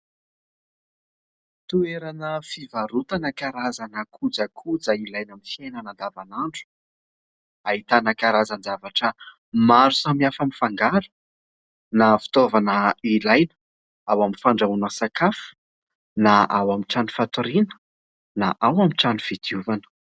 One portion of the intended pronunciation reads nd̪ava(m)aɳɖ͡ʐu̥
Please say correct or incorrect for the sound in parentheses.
incorrect